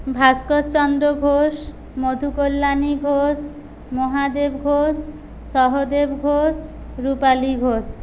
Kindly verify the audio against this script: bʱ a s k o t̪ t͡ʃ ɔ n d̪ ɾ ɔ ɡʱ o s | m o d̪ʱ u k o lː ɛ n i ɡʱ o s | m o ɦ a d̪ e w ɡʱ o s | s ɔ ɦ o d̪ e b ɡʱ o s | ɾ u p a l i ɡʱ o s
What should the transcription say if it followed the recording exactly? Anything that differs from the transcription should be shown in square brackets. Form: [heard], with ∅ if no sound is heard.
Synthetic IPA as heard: bʱ a s k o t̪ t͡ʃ ɔ n d̪ ɾ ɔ ɡʱ o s | m o d̪ʱ u k o lː [a] n i ɡʱ o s | m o ɦ a d̪ e [b] ɡʱ o s | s ɔ ɦ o d̪ e b ɡʱ o s | ɾ u p a l i ɡʱ o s

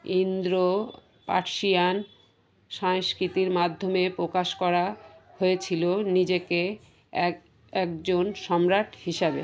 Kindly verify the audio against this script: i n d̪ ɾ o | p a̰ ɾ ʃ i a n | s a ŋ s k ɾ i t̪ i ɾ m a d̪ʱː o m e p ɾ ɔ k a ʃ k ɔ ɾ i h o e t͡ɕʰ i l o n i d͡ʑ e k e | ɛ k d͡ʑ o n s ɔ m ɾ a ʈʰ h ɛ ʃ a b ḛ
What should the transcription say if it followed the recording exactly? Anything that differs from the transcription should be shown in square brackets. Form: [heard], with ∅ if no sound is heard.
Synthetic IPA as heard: i n d̪ ɾ o | p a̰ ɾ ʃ i a n | [ʃ] a ŋ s k ɾ i t̪ i ɾ m a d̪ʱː o m e p ɾ [o] k a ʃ k ɔ ɾ [a] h o e t͡ɕʰ i l o n i d͡ʑ e k e | ɛ k d͡ʑ o n [ʃ] ɔ m ɾ a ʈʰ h [i] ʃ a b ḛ

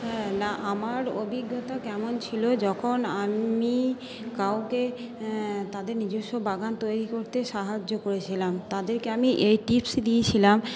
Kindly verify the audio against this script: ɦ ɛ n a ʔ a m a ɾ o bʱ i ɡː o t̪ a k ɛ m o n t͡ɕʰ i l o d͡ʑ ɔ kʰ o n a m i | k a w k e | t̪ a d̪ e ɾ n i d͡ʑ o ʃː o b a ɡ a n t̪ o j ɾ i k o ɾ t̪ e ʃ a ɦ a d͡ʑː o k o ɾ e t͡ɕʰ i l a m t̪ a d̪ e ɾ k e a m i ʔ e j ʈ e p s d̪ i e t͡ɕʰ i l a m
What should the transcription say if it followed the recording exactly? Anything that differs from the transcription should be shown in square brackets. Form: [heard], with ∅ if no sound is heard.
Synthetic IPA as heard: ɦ ɛ n a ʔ a m a ɾ o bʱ i ɡː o t̪ a k ɛ m o n t͡ɕʰ i l o d͡ʑ ɔ kʰ o n a m i | k a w k e | t̪ a d̪ e ɾ n i d͡ʑ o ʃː o b a ɡ a n t̪ o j ɾ i k o ɾ t̪ e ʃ a ɦ a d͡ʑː o k o ɾ e t͡ɕʰ i l a m t̪ a d̪ e ɾ k e a m i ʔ e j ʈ [i] p s d̪ i e t͡ɕʰ i l a m

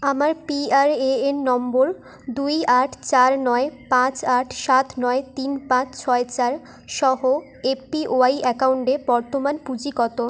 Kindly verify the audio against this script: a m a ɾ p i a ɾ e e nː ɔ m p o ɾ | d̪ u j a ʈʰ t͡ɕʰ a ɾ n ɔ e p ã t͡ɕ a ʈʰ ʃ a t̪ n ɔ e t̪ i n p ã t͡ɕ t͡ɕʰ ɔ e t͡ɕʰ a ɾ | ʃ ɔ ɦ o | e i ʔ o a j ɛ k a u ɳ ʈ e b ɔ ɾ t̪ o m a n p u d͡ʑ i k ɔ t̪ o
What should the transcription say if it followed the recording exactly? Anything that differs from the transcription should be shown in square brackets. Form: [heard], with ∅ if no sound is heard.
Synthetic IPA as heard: a m a ɾ p i a ɾ e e nː ɔ m [b] o ɾ | d̪ u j a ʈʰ [t͡ɕ] a ɾ n ɔ e p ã t͡ɕ a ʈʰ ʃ a t̪ n ɔ e t̪ i n p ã t͡ɕ t͡ɕʰ ɔ e [t͡ɕ] a ɾ | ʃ ɔ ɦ o | e i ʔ o a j ɛ k a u ɳ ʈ e b ɔ ɾ t̪ o m a n p u d͡ʑ i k ɔ t̪ o

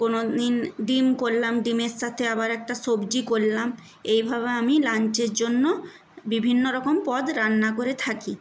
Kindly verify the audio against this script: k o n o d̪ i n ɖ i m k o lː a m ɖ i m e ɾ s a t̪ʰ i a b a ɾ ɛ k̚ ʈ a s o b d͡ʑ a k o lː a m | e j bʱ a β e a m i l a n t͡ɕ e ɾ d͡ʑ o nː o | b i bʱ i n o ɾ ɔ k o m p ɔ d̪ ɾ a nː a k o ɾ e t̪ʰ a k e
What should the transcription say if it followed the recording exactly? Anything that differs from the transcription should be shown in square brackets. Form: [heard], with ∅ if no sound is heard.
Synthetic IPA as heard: k o n o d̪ i n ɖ i m k o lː a m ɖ i m e ɾ [ʃ] a t̪ʰ [e] a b a ɾ ɛ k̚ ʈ a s o b d͡ʑ [i] k o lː a m | e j bʱ a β e a m i l a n t͡ɕ e ɾ d͡ʑ o nː o | b i bʱ i [nː] o ɾ ɔ k o m p ɔ d̪ ɾ a nː a k o ɾ e t̪ʰ a k [i]

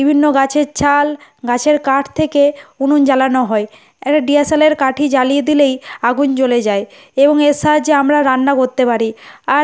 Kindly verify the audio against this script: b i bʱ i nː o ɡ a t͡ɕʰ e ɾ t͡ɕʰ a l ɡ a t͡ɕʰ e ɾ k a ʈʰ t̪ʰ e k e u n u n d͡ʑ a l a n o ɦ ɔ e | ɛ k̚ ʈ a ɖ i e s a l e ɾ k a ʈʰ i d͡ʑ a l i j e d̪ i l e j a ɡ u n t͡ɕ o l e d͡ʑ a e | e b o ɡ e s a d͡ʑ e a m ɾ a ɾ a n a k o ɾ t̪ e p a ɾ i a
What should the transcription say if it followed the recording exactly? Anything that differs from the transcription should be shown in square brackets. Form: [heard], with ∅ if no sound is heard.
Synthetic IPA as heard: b i bʱ i nː o ɡ a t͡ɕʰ e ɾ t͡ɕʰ a l ɡ a t͡ɕʰ e ɾ k a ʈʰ t̪ʰ e k e u n u n d͡ʑ a l a n o ɦ ɔ e | ɛ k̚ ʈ a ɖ i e s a l e ɾ k a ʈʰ i d͡ʑ a l i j e d̪ i l e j a ɡ u n t͡ɕ o l e d͡ʑ a e | e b o [ŋ] e s a d͡ʑ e a m ɾ a ɾ a [nː] a k o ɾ t̪ e p a ɾ i a

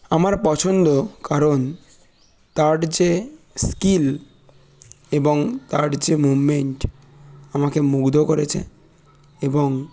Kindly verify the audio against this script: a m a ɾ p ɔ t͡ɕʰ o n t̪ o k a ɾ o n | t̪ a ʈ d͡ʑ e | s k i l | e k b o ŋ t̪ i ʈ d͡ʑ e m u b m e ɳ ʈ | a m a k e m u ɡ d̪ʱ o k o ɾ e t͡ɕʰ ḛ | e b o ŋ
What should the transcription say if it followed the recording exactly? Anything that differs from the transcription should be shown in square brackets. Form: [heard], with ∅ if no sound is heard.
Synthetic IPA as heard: a m a ɾ p ɔ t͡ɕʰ o n [d̪] o k a ɾ o n | t̪ a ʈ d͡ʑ e | s k i l | e [∅] b o ŋ t̪ [a] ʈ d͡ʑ e m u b m e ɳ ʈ | a m a k e m u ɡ d̪ʱ o k o ɾ e t͡ɕʰ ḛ | e b o ŋ

